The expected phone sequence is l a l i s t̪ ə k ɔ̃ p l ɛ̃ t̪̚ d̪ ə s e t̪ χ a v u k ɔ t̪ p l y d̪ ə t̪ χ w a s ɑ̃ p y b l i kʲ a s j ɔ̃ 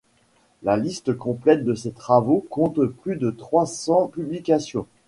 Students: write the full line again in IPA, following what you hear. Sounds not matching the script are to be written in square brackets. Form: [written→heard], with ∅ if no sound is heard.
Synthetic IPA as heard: l a l i s t̪ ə k ɔ̃ p l [ɛ̃→ɛ] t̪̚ d̪ ə s e t̪ χ a v [u→o] k [ɔ→ɔ̃] t̪ p l y d̪ ə t̪ χ w a s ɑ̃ p y b l i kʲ a s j ɔ̃